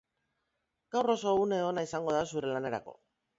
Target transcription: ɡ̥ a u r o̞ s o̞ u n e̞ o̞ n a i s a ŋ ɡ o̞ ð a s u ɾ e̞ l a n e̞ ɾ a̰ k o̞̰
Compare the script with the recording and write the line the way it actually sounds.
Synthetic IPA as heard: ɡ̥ a w r o̞ s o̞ u n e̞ o̞ n a i s a ŋ ɡ o̞ ð a s u ɾ e̞ l a n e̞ ɾ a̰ k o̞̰